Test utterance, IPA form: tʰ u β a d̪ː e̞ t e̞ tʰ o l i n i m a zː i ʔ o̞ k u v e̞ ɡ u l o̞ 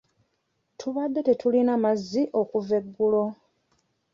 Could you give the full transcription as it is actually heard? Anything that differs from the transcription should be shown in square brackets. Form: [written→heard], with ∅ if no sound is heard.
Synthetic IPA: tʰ u β a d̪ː e̞ t e̞ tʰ [o→u] l i n [i→a] m a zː i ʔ o̞ k u v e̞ [ɡ→ɡː] u l o̞